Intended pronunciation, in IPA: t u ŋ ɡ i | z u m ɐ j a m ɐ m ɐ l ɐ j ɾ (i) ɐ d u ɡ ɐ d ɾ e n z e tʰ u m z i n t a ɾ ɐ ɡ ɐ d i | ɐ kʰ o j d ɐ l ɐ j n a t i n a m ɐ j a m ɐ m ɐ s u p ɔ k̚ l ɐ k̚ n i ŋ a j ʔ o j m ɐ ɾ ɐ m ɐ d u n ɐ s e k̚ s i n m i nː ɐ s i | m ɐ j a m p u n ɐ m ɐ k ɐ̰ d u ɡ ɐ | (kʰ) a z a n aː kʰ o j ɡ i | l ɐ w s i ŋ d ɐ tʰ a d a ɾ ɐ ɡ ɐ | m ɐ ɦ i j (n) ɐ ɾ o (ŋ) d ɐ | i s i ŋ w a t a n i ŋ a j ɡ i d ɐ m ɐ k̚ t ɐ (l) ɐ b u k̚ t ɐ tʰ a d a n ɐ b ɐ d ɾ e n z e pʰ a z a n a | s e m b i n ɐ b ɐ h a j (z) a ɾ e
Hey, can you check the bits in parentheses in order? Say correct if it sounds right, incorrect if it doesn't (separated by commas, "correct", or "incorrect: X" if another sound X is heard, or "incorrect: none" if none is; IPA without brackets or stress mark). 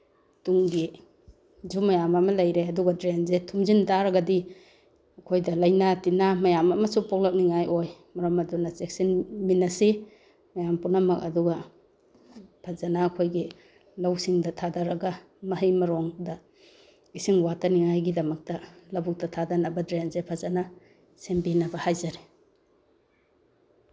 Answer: incorrect: e, incorrect: pʰ, incorrect: m, correct, correct, correct